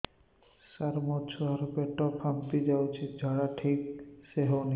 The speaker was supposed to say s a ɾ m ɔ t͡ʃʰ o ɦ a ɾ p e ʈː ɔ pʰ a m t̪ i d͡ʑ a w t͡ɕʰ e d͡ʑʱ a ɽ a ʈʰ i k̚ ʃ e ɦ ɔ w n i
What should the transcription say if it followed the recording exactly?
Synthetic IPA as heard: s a ɾ m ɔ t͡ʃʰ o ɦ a ɾ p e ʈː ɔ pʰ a m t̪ i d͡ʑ a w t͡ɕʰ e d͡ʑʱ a ɽ a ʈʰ i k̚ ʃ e ɦ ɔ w n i

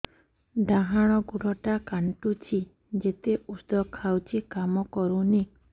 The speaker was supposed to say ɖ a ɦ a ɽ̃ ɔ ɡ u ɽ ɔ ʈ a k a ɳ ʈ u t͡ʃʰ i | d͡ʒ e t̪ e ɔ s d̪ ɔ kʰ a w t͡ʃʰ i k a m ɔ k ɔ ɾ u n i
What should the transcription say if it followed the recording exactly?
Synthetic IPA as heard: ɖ a ɦ a ɽ̃ ɔ ɡ u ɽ ɔ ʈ a k a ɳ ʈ u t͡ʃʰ i | d͡ʒ e t̪ e u s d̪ ɔ kʰ a w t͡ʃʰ i k a m ɔ k ɔ ɾ u n i

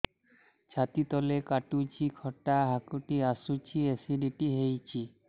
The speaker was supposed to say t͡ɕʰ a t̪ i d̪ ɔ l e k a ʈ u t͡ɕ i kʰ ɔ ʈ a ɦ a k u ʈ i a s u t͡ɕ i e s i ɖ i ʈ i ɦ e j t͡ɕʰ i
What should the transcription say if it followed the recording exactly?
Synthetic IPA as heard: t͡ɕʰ a t̪ i t̪ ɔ l e k a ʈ u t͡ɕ i kʰ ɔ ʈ a ɦ a k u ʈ i a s u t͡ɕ i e s i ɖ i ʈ i ɦ e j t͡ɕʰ i

